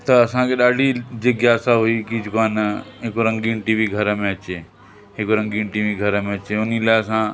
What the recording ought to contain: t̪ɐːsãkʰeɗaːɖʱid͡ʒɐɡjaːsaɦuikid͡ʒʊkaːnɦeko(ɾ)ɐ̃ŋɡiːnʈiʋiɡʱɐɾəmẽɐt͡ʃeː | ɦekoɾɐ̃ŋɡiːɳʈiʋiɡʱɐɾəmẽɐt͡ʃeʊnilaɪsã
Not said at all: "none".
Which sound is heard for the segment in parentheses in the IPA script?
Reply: ɾ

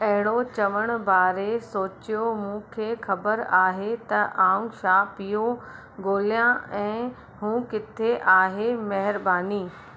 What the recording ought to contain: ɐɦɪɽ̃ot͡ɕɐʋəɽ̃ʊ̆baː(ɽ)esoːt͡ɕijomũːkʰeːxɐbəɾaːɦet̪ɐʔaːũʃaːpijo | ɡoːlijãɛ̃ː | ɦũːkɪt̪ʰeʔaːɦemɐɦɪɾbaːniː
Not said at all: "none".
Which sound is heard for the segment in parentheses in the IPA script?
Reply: ɾ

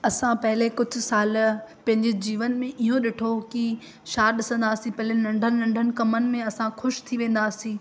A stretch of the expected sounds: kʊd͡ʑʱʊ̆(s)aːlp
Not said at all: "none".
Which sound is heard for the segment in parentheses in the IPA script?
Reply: s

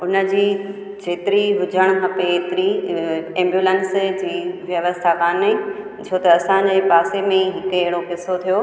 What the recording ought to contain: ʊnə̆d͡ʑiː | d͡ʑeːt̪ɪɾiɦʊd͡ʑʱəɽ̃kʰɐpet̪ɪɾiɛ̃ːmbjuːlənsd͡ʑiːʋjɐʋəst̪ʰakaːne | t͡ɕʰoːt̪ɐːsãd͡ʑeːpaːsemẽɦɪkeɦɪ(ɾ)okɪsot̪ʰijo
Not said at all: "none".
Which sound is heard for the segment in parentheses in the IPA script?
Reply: ɽ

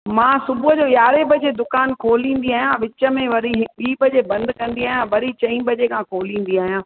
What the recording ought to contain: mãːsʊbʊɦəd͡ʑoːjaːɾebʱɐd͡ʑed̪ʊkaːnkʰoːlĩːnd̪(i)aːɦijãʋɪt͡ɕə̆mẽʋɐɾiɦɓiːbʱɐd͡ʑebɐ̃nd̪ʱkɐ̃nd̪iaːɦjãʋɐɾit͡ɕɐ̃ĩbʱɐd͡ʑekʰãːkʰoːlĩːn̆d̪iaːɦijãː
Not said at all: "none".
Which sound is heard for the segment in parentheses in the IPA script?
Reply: i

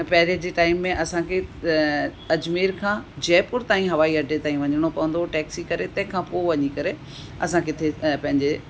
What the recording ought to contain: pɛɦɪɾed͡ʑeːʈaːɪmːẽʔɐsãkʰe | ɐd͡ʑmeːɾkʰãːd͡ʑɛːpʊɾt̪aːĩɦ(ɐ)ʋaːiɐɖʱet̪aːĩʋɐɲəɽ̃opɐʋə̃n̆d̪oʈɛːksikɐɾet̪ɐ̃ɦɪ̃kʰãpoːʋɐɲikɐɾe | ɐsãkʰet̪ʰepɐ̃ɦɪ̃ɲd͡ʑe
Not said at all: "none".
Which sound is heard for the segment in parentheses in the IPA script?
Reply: ɐ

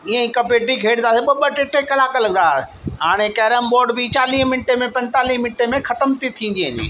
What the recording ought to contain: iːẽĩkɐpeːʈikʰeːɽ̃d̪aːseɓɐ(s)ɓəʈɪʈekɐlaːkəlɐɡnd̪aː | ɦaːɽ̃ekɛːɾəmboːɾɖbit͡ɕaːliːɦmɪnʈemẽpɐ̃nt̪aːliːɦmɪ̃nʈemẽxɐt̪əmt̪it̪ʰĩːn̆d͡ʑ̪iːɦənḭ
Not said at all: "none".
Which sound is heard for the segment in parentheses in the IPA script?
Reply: none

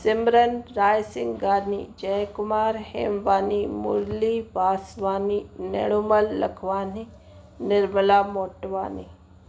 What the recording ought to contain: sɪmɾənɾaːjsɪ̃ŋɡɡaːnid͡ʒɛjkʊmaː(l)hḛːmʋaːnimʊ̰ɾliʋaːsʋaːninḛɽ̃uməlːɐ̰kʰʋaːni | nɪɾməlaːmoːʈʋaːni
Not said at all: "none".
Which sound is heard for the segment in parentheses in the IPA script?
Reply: ɾ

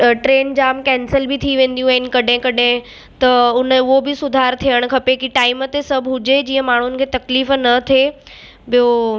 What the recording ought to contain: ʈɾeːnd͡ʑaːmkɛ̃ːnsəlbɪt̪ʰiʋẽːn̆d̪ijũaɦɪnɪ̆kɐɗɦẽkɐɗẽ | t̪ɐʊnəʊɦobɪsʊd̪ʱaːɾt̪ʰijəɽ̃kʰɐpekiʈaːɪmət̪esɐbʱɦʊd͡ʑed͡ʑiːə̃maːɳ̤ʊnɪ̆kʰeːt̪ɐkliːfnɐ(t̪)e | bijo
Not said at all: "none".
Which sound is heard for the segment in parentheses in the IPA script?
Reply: t̪ʰ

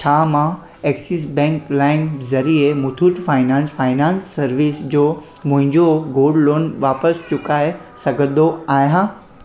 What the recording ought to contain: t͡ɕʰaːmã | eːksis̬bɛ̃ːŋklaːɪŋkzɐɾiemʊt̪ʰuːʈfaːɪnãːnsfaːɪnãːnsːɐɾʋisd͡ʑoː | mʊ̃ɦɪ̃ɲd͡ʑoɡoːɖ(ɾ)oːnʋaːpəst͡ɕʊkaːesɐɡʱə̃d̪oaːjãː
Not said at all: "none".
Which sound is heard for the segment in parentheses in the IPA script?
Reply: l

